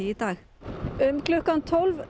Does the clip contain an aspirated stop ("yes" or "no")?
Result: yes